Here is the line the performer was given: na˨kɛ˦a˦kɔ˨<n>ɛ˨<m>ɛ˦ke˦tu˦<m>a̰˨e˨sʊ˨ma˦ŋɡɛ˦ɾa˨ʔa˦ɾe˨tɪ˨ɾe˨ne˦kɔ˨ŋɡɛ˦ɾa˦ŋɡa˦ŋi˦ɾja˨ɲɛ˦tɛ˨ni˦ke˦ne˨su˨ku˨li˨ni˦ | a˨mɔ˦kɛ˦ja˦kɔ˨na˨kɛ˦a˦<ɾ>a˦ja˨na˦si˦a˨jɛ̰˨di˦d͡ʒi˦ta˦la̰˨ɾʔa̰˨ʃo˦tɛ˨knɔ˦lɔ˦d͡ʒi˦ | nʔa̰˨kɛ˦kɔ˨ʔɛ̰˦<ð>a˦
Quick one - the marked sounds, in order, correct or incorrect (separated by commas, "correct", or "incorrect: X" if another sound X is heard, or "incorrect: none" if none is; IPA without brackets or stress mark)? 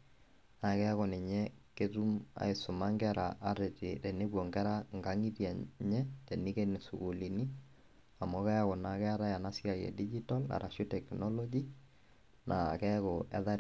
correct, incorrect: ɲ, correct, correct, correct